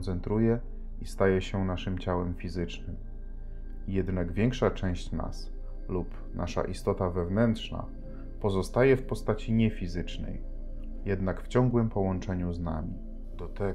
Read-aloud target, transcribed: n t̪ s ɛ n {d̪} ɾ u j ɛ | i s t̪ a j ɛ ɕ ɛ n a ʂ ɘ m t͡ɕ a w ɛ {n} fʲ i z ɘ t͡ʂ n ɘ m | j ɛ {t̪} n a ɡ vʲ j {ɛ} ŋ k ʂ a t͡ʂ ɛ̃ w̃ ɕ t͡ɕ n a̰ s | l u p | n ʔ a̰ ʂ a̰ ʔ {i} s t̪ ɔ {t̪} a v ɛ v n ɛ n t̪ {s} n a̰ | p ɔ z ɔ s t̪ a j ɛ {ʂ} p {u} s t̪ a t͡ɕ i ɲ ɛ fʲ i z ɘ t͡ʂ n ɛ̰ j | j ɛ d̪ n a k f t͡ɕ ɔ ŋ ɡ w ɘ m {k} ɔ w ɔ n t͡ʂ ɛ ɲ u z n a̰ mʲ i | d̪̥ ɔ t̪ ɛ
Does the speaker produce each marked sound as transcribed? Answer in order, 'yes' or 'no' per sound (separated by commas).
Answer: no, no, no, yes, yes, yes, no, no, no, no